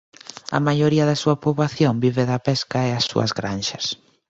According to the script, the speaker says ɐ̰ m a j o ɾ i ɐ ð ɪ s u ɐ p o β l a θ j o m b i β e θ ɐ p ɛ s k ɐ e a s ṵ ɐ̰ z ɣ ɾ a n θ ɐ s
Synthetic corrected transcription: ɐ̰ m a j o ɾ i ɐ ð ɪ s u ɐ p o β l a θ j o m b i β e ð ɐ p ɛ s k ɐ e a s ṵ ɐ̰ z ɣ ɾ a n ʃ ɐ s